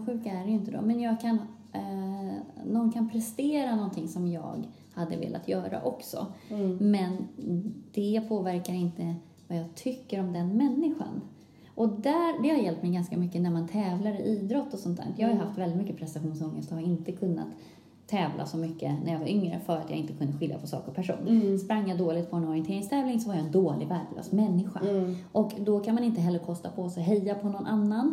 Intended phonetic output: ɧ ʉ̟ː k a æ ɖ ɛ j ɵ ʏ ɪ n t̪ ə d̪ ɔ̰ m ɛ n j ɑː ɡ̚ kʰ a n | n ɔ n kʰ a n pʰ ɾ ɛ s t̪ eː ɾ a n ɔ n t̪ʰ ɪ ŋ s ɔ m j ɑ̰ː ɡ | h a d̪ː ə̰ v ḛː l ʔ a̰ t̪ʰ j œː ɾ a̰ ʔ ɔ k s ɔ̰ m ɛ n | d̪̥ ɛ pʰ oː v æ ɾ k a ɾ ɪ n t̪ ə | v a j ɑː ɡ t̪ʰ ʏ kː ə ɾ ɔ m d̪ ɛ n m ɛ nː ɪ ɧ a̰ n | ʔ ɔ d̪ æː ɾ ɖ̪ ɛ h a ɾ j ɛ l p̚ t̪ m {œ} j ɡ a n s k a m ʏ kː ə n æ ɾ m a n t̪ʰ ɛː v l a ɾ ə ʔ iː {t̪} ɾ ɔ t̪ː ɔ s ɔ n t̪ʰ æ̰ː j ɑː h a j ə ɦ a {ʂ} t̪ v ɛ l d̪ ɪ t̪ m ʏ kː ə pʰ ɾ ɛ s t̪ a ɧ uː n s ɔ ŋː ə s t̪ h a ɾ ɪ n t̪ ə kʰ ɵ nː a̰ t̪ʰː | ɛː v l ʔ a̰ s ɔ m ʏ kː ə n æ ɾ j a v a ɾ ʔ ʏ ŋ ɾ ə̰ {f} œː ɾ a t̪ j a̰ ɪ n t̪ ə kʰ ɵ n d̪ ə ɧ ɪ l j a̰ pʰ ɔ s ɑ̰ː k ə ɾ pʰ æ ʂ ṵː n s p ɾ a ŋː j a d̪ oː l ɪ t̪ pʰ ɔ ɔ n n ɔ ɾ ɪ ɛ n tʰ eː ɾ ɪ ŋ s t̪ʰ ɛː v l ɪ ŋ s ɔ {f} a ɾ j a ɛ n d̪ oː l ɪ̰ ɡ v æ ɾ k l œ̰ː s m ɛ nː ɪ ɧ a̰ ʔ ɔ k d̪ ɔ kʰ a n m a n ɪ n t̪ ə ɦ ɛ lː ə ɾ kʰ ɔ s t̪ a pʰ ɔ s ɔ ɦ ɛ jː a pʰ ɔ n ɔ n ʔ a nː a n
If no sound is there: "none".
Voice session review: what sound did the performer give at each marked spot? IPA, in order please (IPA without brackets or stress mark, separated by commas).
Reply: ɛ, d̪, f, f, v